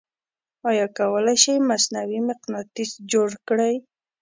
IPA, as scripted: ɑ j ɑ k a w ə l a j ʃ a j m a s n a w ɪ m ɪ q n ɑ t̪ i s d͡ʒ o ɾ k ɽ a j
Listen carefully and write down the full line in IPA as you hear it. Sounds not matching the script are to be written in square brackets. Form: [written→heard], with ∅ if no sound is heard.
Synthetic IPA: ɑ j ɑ k a w ə l a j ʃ a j m a s n a w [ɪ→i] m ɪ q n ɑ t̪ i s d͡ʒ o [ɾ→ɽ] k ɽ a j